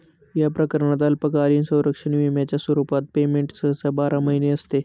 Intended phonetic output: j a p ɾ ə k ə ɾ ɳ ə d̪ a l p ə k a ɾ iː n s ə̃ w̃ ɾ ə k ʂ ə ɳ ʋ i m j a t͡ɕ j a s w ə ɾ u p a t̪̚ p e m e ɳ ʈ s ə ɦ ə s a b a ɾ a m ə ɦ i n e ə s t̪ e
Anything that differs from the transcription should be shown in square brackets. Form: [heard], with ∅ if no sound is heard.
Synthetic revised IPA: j a p ɾ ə k ə ɾ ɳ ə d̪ a l p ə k a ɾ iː n s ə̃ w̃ ɾ ə k ʂ ə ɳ ʋ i m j a t͡ɕ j a s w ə ɾ u p a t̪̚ p e m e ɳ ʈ s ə ɦ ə s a b a ɾ a m ə ɦ i n e ə s t̪ e